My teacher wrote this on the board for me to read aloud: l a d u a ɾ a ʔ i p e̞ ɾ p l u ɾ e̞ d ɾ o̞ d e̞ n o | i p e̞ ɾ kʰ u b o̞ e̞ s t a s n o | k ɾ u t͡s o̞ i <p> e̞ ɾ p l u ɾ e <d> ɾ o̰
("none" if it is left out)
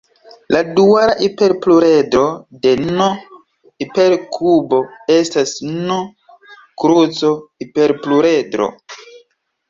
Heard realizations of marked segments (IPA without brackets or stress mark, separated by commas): p, d